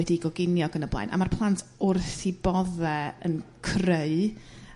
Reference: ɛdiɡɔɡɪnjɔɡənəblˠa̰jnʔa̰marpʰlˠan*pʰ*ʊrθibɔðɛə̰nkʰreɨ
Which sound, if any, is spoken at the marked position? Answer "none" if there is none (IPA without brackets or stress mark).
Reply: tʰ